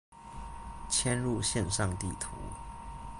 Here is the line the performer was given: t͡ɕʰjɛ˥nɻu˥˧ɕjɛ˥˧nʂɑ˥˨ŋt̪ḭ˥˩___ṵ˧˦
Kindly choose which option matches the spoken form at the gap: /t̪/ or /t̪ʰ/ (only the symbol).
t̪ʰ